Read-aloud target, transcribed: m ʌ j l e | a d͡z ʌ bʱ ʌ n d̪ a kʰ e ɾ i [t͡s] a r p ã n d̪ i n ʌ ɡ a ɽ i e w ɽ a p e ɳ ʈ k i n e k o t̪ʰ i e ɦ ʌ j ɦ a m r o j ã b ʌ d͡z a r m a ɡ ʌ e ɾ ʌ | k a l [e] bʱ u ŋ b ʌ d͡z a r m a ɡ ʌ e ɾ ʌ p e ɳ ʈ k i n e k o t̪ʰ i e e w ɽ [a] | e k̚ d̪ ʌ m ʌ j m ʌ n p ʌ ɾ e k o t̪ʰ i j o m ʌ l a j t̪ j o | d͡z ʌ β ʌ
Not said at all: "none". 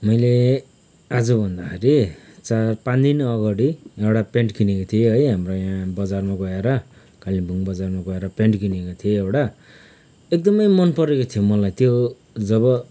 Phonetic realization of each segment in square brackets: t͡s, i, a

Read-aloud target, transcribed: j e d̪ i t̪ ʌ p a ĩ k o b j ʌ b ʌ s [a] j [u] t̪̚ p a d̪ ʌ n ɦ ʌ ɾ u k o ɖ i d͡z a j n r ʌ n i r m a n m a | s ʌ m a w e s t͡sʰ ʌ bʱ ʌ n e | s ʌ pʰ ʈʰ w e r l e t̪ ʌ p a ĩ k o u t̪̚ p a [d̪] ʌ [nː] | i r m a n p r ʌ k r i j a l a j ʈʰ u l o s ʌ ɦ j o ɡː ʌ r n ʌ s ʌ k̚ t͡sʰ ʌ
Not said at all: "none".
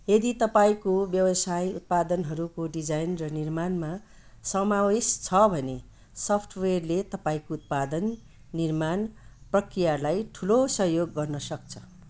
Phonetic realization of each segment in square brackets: a, u, d̪, nː

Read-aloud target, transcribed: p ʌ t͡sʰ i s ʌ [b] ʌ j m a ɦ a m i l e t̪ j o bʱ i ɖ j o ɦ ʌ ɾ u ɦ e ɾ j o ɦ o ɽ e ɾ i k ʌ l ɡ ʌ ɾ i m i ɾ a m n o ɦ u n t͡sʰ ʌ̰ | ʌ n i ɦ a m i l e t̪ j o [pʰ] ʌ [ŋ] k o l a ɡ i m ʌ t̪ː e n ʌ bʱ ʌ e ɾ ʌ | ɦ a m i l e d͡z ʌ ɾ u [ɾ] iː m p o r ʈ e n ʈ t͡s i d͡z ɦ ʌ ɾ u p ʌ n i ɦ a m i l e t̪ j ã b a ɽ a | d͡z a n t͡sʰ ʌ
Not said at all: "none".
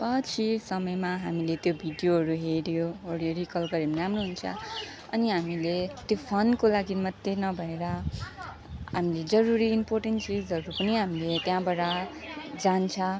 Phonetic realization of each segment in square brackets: m, pʰ, n, ɾ

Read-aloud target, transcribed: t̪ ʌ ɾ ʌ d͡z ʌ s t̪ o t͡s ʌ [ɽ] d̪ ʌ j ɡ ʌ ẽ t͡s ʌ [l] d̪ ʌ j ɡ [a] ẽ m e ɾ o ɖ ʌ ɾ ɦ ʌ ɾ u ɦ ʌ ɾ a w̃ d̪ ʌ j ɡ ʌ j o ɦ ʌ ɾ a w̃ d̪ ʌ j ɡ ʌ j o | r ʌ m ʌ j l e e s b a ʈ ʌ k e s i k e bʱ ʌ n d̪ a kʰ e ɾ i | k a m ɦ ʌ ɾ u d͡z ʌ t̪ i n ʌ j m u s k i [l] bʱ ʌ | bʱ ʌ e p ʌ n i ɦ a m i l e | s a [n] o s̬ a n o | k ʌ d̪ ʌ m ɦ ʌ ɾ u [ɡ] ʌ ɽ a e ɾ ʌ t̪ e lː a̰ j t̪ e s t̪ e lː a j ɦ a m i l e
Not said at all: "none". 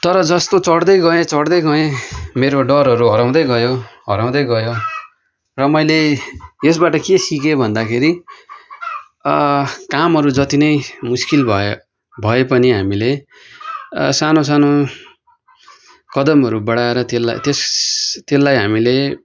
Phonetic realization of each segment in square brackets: ɽ, ɽ, ʌ, l, n, b

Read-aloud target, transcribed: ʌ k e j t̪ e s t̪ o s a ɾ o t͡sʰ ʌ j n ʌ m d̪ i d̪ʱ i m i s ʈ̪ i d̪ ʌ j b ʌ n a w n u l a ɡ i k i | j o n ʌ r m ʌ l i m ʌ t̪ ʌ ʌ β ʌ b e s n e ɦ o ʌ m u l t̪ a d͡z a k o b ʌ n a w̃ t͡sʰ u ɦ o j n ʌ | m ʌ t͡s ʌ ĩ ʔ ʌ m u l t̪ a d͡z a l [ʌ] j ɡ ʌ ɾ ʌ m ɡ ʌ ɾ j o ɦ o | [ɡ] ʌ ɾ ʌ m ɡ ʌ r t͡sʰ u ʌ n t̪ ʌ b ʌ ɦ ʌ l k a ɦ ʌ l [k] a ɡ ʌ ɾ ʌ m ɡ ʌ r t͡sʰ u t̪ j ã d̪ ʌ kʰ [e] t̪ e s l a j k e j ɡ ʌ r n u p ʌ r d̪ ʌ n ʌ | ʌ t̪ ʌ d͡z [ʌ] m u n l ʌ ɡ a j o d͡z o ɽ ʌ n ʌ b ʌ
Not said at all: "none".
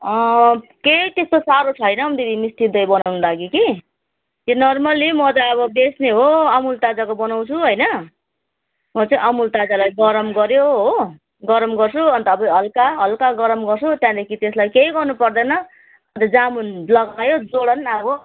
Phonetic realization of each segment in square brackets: a, ɡ, k, i, a

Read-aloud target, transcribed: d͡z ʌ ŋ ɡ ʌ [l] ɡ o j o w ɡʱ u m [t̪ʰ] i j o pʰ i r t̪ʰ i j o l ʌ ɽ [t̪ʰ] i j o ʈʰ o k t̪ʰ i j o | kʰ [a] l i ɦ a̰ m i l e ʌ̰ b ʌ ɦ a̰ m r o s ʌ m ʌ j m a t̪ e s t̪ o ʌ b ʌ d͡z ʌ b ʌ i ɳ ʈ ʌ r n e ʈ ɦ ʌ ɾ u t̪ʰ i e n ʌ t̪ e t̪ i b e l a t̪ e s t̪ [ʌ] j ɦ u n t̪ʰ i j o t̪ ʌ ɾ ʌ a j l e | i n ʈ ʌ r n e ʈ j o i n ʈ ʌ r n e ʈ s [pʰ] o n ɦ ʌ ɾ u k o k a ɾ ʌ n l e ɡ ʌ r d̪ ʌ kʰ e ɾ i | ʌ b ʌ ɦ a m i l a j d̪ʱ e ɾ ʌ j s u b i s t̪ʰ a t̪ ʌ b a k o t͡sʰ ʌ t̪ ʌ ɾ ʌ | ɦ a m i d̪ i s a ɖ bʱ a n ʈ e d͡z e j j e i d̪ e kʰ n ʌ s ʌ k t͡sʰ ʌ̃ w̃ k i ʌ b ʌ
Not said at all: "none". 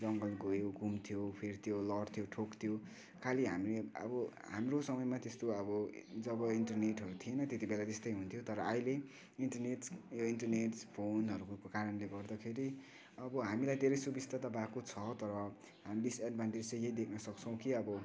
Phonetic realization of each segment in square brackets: l, t̪ʰ, t̪ʰ, a, ʌ, pʰ

